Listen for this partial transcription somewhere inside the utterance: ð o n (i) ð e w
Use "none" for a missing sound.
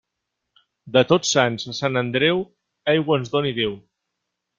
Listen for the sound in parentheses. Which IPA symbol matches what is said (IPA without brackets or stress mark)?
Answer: i